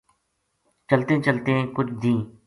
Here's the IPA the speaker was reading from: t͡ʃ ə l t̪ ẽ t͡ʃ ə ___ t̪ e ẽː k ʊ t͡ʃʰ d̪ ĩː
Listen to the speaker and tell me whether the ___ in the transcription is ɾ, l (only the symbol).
l